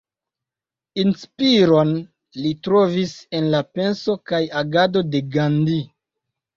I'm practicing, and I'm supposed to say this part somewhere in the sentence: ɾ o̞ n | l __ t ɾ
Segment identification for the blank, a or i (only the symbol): i